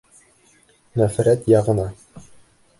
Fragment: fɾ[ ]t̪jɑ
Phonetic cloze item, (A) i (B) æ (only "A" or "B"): B